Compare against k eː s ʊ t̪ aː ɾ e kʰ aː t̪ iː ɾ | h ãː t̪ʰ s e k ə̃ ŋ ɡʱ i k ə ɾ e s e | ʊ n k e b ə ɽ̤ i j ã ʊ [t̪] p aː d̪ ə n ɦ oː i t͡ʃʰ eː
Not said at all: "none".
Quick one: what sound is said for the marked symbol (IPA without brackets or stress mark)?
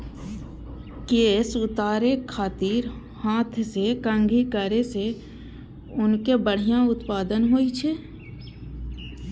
t̪